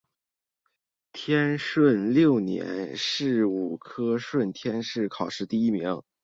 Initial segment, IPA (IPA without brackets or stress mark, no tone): t̪ʰ